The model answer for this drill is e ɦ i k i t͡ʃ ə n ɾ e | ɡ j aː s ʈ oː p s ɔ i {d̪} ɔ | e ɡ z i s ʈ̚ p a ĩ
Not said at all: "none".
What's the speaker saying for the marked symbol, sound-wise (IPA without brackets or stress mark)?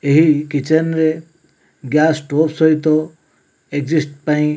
t̪